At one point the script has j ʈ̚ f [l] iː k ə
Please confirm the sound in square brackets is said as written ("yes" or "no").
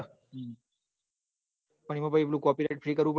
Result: no